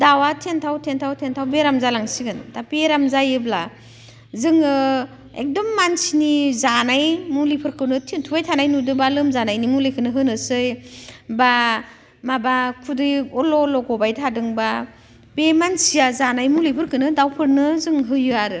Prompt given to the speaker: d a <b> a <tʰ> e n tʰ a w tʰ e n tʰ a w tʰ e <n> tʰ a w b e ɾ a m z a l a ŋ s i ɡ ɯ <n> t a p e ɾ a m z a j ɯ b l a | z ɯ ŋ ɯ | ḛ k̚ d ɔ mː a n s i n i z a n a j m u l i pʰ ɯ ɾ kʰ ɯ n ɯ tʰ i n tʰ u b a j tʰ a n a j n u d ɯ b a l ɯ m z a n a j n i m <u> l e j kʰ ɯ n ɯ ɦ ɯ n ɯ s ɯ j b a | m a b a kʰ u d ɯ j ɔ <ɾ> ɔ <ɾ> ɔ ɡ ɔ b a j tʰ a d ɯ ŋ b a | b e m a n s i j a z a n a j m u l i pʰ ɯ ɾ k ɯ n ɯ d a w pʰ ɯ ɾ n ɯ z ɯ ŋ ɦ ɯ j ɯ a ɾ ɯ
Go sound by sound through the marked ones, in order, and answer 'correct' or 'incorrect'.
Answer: incorrect: w, correct, correct, correct, correct, incorrect: l, incorrect: l

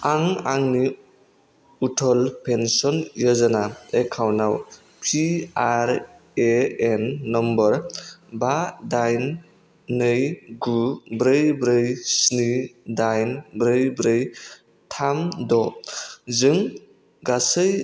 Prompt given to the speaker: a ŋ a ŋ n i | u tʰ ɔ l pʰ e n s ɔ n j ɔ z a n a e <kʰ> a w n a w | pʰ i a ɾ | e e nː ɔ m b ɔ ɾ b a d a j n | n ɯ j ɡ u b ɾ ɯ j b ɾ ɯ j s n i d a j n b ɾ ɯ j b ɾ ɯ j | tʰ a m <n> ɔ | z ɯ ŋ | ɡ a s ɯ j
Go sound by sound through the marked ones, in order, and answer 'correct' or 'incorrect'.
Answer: correct, incorrect: d

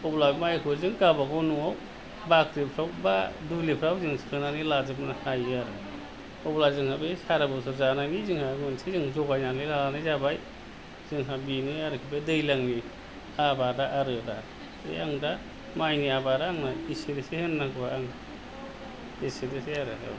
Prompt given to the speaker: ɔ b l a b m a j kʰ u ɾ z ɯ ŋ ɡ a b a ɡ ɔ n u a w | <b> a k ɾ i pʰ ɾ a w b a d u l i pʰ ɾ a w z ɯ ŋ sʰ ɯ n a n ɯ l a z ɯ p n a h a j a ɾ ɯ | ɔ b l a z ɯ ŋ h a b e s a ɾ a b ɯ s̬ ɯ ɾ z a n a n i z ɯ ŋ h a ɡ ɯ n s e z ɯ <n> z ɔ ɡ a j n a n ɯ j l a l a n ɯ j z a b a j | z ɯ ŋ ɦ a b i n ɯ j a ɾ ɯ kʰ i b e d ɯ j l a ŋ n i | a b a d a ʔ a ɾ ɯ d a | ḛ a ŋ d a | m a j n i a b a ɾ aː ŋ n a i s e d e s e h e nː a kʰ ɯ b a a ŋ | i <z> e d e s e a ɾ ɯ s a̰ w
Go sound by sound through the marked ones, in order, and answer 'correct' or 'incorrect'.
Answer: correct, incorrect: ŋ, incorrect: s

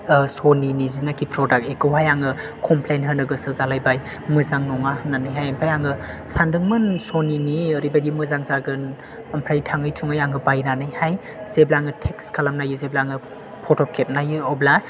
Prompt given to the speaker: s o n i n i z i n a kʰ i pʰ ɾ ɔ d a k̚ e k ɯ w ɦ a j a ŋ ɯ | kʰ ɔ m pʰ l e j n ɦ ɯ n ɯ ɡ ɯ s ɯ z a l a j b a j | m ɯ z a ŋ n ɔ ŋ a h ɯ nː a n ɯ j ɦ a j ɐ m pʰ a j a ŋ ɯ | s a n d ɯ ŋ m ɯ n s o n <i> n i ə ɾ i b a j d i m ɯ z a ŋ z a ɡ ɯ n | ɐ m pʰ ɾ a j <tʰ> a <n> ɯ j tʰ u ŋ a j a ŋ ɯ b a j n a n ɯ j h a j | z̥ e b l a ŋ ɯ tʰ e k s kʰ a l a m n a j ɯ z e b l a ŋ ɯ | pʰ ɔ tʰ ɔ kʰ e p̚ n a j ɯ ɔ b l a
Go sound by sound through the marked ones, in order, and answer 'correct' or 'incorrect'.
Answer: correct, correct, incorrect: ŋ

